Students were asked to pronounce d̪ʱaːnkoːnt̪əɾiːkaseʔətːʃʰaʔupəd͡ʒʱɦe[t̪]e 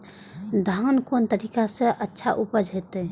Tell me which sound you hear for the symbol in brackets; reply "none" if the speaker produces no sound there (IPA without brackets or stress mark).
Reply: t̪